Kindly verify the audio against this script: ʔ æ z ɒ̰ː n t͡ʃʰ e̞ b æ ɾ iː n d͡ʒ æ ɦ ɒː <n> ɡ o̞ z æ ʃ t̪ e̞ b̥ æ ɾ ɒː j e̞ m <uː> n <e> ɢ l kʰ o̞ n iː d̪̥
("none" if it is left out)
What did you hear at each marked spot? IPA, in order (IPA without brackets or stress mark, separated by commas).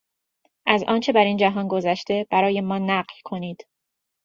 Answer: n, ɒː, æ